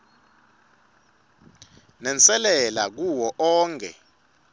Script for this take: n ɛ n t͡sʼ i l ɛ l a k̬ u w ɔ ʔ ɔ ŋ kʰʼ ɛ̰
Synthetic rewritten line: n ɛ n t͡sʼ ɛ l ɛ l a k̬ u w ɔ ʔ ɔː ŋ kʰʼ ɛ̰